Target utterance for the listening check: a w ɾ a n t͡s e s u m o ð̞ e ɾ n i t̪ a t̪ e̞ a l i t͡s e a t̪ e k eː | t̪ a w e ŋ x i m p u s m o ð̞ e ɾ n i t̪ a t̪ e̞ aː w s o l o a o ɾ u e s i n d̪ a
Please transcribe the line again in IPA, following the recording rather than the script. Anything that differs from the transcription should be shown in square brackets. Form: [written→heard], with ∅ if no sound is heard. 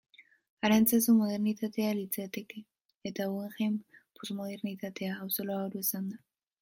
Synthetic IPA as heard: a [w→∅] ɾ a n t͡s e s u m o ð̞ e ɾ n i t̪ a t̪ e̞ a l i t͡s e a t̪ e k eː | t̪ a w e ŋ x [i→e] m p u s m o ð̞ e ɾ n i t̪ a t̪ e̞ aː w s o l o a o ɾ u e s [i→a] n d̪ a